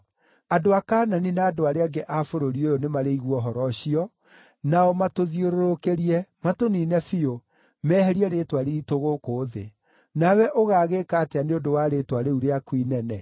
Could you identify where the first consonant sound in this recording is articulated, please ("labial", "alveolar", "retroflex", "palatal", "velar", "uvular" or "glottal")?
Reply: alveolar